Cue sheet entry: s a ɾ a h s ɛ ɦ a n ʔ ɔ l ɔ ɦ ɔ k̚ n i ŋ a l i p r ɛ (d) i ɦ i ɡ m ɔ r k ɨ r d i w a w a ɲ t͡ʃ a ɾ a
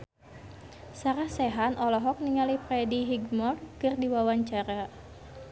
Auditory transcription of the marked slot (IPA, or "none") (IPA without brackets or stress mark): d